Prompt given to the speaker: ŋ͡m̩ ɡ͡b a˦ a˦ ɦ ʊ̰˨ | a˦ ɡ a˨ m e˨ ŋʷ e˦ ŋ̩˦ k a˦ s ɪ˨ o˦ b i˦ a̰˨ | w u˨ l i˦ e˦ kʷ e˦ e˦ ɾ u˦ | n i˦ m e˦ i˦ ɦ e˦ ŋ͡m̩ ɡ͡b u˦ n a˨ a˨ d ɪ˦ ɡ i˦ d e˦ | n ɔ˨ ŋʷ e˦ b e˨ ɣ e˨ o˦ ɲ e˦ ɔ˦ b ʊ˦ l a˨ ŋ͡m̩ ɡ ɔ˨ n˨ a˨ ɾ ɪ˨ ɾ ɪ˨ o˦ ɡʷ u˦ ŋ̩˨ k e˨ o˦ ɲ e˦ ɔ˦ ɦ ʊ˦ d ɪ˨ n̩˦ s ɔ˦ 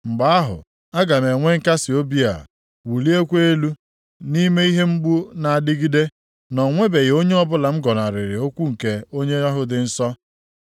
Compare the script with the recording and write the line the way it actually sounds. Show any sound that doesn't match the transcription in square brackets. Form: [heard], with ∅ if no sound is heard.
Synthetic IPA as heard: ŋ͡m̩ ɡ͡b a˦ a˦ ɦ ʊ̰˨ | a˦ ɡ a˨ m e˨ ŋʷ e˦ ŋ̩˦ k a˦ s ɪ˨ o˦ b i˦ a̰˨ | w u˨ l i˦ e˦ kʷ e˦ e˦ [l] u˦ | n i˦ m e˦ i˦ ɦ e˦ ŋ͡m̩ ɡ͡b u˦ n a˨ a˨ d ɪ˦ ɡ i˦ d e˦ | n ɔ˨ ŋʷ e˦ b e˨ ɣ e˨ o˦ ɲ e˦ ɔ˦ b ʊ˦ l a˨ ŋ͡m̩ ɡ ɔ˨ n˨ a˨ ɾ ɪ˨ ɾ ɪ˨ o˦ [kʷ] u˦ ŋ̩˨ k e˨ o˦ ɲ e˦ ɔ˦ ɦ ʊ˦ d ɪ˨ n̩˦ s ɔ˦